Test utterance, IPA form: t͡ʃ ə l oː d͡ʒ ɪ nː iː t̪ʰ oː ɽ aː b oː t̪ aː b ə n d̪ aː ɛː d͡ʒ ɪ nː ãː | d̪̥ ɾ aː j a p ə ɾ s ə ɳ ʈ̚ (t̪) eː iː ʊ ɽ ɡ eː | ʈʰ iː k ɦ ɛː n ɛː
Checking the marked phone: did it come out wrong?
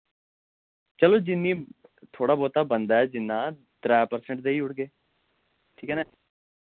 yes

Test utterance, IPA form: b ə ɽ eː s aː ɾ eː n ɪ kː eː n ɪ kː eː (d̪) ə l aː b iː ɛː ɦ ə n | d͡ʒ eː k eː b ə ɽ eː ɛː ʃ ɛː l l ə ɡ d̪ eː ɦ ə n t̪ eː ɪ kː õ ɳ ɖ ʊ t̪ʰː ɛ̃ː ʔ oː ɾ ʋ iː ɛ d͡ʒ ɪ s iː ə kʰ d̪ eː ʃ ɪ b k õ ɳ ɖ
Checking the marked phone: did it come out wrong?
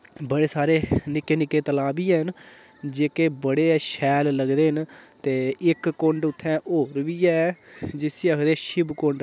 yes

